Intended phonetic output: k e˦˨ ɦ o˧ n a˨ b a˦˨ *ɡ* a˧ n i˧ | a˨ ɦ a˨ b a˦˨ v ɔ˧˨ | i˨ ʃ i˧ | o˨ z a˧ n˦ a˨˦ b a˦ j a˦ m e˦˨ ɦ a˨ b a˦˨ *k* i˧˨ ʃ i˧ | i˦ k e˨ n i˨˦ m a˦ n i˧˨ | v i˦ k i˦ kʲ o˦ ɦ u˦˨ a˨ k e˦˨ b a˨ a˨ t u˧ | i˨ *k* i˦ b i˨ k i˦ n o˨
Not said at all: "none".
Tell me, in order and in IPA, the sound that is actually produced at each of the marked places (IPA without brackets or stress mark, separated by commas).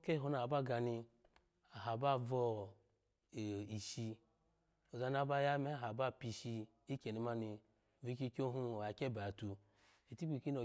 ɡ, p, t